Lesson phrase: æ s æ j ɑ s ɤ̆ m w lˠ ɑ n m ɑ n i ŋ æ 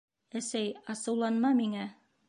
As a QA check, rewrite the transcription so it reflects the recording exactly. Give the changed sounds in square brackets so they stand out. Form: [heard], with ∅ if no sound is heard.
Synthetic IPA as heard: æ s æ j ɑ s ɤ̆ [∅] w lˠ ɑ n m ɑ [m] i ŋ æ